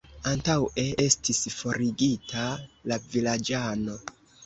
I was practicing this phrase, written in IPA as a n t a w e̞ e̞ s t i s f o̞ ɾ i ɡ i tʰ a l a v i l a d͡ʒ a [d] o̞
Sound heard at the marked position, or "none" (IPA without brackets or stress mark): n